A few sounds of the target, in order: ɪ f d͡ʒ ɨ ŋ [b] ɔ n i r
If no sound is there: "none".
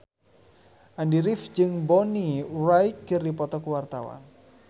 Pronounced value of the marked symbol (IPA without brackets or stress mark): b